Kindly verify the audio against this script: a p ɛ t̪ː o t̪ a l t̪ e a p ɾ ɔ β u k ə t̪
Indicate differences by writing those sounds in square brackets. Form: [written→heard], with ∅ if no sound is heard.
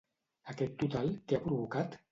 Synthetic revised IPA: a [p→k] ɛ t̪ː [o→u] t̪ a l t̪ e a p ɾ [ɔ→u] β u k [ə→a] t̪